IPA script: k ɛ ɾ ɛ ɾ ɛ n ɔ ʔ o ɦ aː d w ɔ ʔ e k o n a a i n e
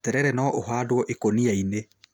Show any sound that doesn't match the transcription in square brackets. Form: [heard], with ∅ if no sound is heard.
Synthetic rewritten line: [t] ɛ ɾ ɛ ɾ ɛ n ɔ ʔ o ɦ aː d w ɔ ʔ e k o n [i] a i n e